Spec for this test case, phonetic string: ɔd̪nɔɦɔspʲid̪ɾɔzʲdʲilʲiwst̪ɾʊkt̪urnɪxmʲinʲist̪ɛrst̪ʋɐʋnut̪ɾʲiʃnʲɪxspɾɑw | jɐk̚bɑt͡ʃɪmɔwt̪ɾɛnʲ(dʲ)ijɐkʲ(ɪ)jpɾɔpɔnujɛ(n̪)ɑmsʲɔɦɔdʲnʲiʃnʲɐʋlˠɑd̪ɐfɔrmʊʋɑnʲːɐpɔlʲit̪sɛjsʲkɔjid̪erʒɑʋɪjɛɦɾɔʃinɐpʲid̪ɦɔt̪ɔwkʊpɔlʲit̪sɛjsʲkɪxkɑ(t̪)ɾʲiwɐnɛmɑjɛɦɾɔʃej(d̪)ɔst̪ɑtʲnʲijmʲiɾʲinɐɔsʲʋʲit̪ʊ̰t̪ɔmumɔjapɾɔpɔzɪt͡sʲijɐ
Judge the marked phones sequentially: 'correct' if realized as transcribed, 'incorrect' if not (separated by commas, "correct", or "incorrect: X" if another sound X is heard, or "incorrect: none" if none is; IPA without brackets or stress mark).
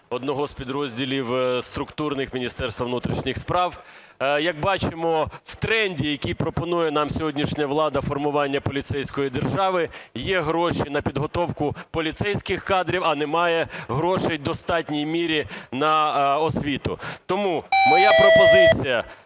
correct, incorrect: i, correct, incorrect: d̪, correct